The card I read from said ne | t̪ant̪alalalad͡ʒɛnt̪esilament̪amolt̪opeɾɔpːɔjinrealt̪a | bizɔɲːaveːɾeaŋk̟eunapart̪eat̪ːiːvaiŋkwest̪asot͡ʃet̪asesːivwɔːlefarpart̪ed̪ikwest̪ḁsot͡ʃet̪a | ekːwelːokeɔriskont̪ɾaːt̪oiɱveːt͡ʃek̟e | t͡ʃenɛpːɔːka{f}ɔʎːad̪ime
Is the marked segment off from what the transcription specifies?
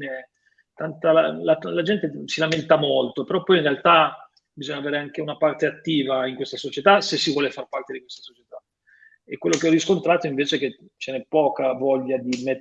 yes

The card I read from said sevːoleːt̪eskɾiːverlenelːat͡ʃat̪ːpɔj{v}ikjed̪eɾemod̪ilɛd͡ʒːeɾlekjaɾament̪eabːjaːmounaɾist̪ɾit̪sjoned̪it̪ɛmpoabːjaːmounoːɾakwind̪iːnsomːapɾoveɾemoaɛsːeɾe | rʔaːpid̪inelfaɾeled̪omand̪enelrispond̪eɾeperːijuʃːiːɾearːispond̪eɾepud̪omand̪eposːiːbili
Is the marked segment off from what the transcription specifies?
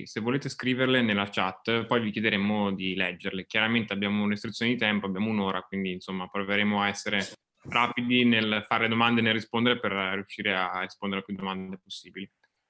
no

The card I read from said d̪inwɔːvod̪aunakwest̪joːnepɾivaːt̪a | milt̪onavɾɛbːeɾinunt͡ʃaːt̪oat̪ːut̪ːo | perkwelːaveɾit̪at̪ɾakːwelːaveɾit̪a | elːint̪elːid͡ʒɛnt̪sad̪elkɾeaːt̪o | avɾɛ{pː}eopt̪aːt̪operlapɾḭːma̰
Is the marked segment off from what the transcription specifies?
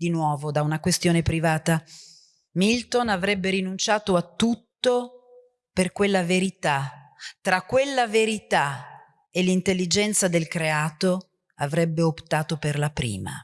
yes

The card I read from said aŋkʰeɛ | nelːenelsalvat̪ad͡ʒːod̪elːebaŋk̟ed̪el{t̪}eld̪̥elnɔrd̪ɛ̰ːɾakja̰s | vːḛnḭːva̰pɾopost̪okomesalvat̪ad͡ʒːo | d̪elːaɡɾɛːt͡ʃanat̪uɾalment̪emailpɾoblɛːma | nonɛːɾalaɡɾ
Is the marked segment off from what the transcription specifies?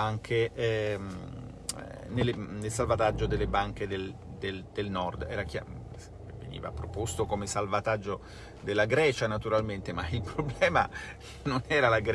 yes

